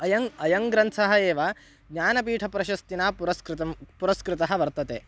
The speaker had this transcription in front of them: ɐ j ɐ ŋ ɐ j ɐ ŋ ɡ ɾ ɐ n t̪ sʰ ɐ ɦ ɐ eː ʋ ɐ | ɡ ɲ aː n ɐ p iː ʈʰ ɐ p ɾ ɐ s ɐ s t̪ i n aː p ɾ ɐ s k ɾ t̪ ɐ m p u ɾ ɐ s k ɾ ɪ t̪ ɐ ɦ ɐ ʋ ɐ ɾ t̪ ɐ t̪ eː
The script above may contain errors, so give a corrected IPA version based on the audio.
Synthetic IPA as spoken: ɐ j ɐ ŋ ɐ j ɐ ŋ ɡ ɾ ɐ n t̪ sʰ ɐ ɦ ɐ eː ʋ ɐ | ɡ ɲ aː n ɐ p iː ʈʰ ɐ p ɾ ɐ ʃ ɐ s t̪ i n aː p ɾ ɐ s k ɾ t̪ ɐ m p u ɾ ɐ s k ɾ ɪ t̪ ɐ ɦ ɐ ʋ ɐ ɾ t̪ ɐ t̪ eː